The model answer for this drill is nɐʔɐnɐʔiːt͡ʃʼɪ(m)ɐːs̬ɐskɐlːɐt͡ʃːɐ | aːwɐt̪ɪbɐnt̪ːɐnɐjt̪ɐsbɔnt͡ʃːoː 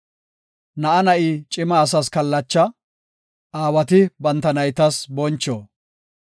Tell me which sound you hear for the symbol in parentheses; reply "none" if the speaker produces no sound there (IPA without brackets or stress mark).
m